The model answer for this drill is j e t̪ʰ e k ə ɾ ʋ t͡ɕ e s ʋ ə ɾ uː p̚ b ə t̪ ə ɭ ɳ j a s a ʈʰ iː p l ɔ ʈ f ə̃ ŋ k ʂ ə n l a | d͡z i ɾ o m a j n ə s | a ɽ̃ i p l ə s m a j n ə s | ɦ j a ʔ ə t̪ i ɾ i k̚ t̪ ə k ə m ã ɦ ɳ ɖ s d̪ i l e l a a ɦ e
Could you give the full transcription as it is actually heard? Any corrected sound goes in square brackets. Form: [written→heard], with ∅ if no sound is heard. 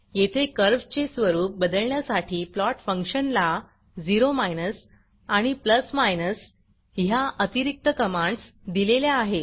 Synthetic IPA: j e t̪ʰ e k ə ɾ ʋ t͡ɕ e s ʋ ə ɾ uː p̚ b ə [t̪→d̪] ə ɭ ɳ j a s a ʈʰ iː p l ɔ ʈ f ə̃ ŋ k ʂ ə n l a | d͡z i ɾ o m a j n ə s | a ɽ̃ i p l ə s m a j n ə s | ɦ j a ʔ ə t̪ i ɾ i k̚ t̪ ə k ə m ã [ɦ→∅] ɳ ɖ s d̪ i l e l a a ɦ e